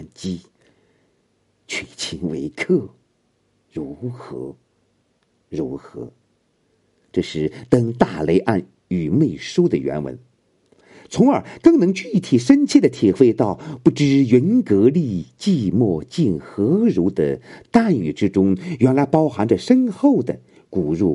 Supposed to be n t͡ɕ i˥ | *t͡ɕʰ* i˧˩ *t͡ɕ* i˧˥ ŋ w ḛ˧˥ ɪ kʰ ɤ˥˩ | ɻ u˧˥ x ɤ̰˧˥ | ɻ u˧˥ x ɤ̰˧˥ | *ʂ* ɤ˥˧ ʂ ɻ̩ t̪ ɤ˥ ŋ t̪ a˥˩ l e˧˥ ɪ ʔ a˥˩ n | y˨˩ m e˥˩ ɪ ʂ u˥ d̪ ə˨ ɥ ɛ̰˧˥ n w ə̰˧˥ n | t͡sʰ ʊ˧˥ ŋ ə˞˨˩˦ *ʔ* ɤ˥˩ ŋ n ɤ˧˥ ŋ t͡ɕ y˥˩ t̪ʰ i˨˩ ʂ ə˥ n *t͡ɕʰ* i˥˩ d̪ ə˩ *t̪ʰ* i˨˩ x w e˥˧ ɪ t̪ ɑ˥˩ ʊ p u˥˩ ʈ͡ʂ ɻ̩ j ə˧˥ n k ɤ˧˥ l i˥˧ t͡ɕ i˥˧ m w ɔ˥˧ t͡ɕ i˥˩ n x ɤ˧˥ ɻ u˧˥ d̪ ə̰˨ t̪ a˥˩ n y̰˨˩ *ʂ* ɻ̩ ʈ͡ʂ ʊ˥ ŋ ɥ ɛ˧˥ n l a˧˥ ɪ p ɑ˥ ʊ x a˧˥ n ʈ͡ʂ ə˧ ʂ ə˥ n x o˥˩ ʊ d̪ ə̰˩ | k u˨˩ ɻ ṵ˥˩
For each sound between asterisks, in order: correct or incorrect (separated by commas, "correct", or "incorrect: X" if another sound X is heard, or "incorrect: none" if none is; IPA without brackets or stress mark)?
correct, incorrect: t͡ɕʰ, incorrect: ʈ͡ʂ, incorrect: k, correct, correct, incorrect: ʈ͡ʂ